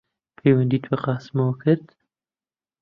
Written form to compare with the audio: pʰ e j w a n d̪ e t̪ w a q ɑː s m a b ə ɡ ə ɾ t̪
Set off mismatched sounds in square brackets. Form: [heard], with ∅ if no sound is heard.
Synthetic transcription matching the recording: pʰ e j w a n d̪ [i] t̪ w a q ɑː s m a [w] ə [k] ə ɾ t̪